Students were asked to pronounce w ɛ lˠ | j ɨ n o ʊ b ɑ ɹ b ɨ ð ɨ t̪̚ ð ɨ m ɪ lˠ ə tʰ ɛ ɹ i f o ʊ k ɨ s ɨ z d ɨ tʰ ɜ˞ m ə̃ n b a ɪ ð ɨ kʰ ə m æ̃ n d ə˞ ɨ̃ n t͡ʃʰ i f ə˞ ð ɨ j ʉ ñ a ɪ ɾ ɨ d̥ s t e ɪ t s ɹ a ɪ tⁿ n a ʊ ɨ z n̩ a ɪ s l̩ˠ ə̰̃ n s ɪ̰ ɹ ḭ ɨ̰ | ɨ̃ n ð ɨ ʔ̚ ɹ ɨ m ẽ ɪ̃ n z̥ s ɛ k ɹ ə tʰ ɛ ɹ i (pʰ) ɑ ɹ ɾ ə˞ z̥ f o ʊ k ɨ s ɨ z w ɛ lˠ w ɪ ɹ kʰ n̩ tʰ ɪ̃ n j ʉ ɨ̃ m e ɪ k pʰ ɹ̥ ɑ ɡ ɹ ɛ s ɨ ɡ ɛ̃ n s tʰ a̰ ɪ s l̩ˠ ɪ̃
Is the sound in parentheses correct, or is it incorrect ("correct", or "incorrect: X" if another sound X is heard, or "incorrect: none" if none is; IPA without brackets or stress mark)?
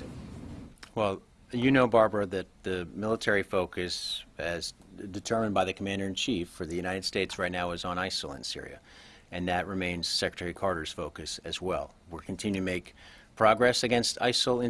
incorrect: kʰ